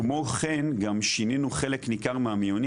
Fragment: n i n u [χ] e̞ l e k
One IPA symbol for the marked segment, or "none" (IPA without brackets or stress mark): χ